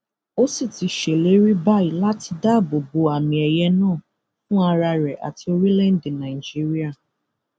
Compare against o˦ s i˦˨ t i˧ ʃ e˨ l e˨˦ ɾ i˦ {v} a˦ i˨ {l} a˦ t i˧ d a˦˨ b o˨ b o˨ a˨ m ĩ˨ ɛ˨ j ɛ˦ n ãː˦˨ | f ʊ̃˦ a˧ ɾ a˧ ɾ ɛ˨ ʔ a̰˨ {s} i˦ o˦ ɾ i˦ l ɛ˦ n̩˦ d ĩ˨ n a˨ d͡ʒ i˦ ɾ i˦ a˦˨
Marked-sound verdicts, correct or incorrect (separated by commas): incorrect, correct, incorrect